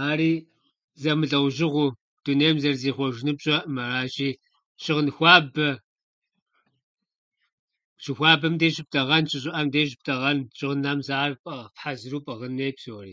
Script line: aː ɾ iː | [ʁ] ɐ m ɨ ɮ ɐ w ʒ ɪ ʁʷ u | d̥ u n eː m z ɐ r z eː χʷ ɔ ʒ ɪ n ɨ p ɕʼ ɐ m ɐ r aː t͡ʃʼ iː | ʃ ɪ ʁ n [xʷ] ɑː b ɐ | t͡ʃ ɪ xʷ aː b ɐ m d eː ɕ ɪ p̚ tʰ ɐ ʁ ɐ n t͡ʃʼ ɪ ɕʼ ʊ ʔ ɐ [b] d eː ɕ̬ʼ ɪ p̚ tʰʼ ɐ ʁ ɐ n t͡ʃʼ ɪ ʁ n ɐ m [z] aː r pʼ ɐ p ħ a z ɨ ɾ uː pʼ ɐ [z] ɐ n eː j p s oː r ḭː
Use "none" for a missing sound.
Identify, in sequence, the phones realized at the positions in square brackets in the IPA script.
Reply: z, xʷ, m, z, ʁ

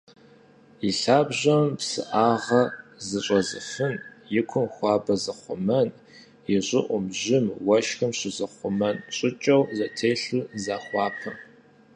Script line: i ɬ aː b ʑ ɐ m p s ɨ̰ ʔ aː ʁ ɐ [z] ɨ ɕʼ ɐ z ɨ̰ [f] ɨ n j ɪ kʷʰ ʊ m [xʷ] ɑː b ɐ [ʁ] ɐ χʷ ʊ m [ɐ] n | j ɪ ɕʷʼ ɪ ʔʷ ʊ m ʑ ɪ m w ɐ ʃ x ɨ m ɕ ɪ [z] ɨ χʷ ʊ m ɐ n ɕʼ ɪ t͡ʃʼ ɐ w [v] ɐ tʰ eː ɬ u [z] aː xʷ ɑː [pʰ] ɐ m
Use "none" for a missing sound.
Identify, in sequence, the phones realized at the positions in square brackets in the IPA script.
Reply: z, f, xʷ, z, ɐ, z, z, z, pʰ

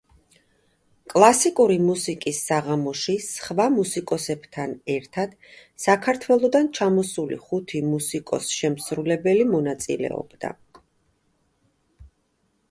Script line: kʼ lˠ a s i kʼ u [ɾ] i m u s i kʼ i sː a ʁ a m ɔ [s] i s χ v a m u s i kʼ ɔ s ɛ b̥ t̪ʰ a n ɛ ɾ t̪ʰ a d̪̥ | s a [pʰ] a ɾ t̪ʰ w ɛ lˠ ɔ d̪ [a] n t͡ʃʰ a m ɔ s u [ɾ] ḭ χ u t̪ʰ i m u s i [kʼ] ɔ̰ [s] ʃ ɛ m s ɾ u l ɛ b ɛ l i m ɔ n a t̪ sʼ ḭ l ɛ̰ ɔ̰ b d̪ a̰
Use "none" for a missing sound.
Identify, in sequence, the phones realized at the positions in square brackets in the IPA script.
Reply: ɾ, ʃ, kʰ, a, l, kʼ, s

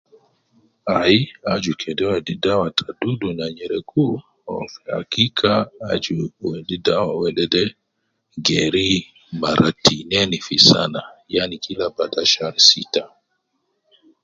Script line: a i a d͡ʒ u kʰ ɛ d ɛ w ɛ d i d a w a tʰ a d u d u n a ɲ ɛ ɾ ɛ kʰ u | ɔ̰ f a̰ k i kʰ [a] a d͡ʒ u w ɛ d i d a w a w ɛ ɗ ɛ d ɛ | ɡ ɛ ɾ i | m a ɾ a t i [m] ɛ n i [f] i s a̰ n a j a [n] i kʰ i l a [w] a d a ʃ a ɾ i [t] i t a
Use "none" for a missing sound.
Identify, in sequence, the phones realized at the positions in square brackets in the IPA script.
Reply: a, n, f, n, b, s

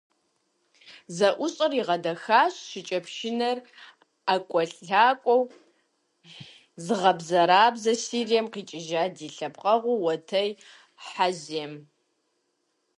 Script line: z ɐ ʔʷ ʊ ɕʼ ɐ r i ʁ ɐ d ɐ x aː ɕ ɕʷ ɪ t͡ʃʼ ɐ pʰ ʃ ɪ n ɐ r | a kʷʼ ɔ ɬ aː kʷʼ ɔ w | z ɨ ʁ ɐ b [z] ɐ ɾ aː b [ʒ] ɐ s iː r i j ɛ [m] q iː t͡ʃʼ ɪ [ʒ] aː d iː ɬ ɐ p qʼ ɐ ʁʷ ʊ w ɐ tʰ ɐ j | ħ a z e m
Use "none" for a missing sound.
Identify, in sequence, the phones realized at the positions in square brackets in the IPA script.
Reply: z, z, m, ʒ

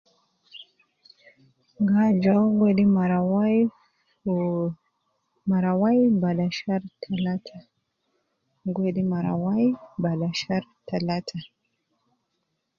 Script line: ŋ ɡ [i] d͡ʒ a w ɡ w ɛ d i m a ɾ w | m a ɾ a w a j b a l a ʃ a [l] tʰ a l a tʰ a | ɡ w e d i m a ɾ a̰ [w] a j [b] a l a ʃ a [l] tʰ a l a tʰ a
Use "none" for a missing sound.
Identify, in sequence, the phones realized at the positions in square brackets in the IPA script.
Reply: a, ɾ, w, b, ɾ

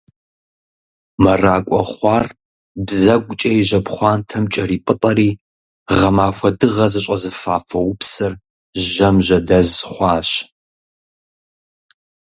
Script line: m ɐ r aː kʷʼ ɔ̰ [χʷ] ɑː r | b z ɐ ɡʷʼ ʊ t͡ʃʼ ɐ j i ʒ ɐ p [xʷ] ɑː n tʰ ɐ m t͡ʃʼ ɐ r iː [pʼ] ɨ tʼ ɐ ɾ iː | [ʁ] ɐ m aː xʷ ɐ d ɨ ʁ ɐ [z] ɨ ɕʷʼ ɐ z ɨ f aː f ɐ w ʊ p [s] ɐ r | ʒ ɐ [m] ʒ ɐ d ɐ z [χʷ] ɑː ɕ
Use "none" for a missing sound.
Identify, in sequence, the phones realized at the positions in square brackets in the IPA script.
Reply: χʷ, χʷ, pʼ, ʁ, z, s, m, χʷ

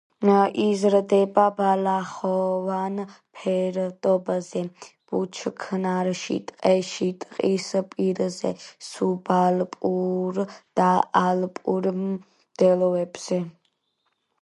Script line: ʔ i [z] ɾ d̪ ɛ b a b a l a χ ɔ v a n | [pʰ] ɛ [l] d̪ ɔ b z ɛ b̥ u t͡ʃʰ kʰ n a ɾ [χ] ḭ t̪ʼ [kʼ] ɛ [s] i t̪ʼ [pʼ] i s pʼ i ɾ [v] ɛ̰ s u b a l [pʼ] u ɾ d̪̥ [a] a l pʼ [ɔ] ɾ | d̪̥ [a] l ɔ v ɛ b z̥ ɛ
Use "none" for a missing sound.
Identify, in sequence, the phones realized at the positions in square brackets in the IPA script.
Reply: z, pʰ, ɾ, ʃ, qʼ, ʃ, qʼ, z, pʼ, a, u, ɛ

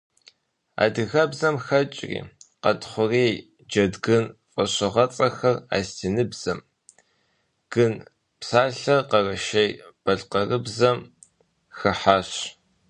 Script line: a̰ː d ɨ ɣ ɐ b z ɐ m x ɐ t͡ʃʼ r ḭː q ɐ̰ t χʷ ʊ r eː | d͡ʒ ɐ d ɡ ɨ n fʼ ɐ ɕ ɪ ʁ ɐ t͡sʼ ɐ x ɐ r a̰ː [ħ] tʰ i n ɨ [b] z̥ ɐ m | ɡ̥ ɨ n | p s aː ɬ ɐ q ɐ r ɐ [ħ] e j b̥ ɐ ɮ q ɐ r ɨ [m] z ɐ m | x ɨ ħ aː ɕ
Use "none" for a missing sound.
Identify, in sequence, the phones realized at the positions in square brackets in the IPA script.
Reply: s, b, ʃ, b

